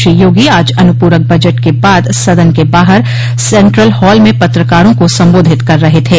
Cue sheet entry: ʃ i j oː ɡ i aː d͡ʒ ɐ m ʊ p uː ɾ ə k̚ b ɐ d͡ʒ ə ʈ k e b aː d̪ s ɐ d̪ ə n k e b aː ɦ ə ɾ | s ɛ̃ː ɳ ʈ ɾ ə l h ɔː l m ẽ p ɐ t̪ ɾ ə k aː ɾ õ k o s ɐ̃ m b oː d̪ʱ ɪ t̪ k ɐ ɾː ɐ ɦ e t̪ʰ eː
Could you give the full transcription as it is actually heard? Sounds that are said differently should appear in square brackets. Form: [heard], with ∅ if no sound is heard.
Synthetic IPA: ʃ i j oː ɡ i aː d͡ʒ ɐ [n] ʊ p uː ɾ ə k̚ b ɐ d͡ʒ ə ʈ k e b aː d̪ s ɐ d̪ ə n k e b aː ɦ ə ɾ | s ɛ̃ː ɳ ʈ ɾ ə l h ɔː l m ẽ p ɐ t̪ ɾ ə k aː ɾ õ k o s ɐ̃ m b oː d̪ʱ ɪ t̪ k ɐ ɾː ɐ ɦ e t̪ʰ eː

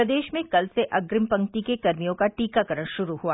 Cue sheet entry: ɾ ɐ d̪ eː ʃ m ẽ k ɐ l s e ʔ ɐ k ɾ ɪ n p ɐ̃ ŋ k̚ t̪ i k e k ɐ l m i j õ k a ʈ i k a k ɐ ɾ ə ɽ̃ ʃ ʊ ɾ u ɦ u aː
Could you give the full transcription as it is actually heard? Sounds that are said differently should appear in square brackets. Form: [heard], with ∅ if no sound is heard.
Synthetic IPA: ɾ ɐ d̪ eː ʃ m ẽ k ɐ l s e ʔ ɐ [ɡ] ɾ ɪ [m] p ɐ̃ ŋ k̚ t̪ i k e k ɐ [ɾ] m i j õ k a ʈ [iː] k a k ɐ ɾ ə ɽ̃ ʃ ʊ ɾ u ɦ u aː

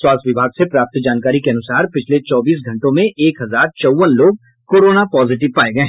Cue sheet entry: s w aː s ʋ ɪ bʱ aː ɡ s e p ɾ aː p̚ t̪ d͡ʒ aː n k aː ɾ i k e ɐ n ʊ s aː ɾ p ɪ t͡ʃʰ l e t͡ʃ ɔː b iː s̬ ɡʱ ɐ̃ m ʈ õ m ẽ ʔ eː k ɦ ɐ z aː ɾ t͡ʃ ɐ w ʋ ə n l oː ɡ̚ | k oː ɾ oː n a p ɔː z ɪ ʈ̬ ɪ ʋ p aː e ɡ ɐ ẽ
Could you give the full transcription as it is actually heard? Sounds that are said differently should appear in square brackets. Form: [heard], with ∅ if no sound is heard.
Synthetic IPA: s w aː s ʋ ɪ bʱ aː ɡ s e p ɾ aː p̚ t̪ d͡ʒ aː n k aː ɾ i k e ɐ n ʊ s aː ɾ p ɪ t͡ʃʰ l e t͡ʃ ɔː b iː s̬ ɡʱ ɐ̃ [ɳ] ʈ õ m ẽ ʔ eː k ɦ ɐ z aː ɾ t͡ʃ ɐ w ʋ ə n l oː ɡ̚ | k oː ɾ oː n a p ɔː z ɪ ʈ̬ ɪ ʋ p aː e ɡ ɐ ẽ

